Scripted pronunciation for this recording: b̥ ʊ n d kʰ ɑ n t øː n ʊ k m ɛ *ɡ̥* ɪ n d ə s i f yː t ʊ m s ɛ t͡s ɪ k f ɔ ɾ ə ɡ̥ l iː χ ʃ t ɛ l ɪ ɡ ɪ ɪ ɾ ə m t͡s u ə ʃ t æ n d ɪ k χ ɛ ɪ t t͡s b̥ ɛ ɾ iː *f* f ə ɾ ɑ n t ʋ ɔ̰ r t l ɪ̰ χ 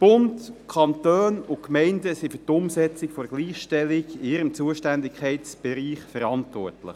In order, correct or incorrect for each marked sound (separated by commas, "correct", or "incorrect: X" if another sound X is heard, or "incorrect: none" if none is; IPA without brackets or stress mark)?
incorrect: none, incorrect: χ